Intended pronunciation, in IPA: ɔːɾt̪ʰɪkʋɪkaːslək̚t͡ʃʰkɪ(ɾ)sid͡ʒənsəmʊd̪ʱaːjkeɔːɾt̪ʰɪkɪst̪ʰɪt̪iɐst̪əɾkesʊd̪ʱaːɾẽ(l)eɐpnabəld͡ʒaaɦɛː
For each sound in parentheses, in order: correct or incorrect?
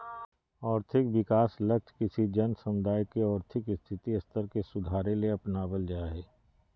incorrect: none, correct

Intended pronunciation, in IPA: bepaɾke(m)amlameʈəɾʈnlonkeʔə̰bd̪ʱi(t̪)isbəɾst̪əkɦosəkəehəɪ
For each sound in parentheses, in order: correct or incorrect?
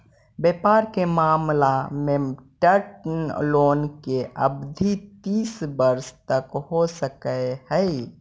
correct, correct

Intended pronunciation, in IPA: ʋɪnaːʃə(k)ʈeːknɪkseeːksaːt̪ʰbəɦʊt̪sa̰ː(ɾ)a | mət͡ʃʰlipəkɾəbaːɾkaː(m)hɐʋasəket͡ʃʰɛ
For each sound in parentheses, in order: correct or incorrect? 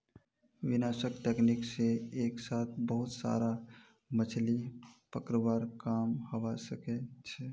correct, correct, correct

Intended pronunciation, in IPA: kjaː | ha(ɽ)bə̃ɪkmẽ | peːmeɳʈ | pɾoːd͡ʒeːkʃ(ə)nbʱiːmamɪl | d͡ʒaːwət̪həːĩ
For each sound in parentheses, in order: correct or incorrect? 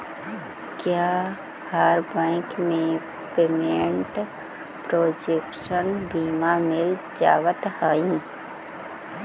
incorrect: ɾ, correct

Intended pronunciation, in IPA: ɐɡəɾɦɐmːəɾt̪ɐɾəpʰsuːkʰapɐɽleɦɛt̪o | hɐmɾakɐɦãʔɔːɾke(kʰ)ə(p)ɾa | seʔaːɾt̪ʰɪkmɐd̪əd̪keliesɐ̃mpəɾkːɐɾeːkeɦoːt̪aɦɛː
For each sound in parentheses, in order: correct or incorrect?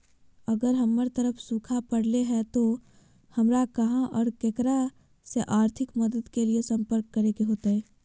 incorrect: k, incorrect: none

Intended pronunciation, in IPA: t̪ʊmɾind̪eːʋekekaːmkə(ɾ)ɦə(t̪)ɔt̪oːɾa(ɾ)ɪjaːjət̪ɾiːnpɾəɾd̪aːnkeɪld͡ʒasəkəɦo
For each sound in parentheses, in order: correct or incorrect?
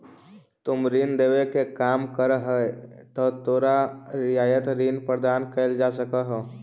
correct, correct, correct

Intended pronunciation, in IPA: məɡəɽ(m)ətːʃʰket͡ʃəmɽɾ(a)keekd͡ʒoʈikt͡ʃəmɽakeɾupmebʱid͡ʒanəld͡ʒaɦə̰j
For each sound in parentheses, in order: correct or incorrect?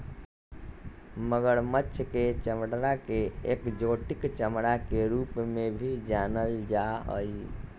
correct, correct

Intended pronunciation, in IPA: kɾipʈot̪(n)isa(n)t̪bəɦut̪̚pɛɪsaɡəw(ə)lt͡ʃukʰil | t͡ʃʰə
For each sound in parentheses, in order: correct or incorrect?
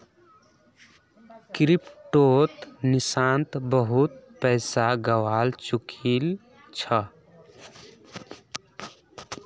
correct, correct, incorrect: a

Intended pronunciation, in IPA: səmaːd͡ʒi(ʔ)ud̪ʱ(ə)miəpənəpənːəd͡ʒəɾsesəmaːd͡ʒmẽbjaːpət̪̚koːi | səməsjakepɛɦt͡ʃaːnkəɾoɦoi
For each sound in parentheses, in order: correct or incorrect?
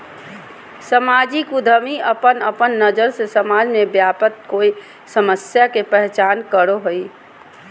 incorrect: k, correct

